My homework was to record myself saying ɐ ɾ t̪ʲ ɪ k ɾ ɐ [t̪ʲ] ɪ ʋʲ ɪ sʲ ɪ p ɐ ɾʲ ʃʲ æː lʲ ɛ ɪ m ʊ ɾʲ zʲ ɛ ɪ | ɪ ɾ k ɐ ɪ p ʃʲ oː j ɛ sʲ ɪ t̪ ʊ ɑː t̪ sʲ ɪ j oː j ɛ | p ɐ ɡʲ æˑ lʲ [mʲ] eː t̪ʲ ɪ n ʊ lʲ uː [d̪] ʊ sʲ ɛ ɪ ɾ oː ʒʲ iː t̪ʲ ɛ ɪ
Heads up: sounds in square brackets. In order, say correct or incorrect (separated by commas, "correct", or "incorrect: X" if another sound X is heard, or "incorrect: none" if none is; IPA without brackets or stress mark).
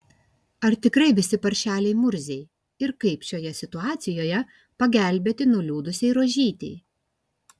incorrect: none, incorrect: bʲ, correct